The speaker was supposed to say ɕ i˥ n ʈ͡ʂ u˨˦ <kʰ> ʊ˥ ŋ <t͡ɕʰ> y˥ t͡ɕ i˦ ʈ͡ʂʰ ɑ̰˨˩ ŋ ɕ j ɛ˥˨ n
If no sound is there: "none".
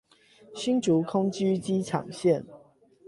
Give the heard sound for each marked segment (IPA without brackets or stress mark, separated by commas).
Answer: kʰ, t͡ɕ